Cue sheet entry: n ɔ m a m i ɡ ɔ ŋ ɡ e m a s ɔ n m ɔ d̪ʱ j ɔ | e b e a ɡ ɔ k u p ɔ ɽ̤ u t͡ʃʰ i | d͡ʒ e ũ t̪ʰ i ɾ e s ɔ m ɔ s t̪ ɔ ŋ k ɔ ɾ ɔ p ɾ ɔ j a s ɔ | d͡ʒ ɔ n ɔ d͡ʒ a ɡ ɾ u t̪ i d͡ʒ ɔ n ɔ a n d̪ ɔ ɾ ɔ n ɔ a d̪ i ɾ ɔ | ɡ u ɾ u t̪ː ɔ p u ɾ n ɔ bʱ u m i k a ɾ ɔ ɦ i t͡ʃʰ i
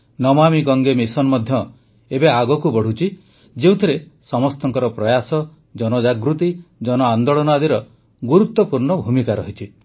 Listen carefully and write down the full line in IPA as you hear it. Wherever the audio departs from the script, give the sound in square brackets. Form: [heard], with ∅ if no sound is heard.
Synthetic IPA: n ɔ m a m i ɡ ɔ ŋ ɡ e m [i] s ɔ n m ɔ d̪ʱ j ɔ | e b e a ɡ ɔ k u [b] ɔ ɽ̤ u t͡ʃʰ i | d͡ʒ e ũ t̪ʰ i ɾ e s ɔ m ɔ s t̪ ɔ ŋ k ɔ ɾ ɔ p ɾ ɔ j a s ɔ | d͡ʒ ɔ n ɔ d͡ʒ a ɡ ɾ u t̪ i d͡ʒ ɔ n ɔ a n d̪ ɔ [ɭ] ɔ n ɔ a d̪ i ɾ ɔ | ɡ u ɾ u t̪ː ɔ p u ɾ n ɔ bʱ u m i k a ɾ ɔ ɦ i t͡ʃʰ i